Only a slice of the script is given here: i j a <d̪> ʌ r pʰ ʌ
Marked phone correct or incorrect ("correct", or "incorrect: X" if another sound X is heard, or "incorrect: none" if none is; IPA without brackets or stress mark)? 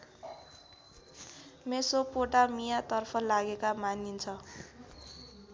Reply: incorrect: t̪